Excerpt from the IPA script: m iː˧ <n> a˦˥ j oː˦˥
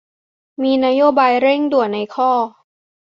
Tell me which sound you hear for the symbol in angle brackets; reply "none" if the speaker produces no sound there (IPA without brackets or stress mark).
n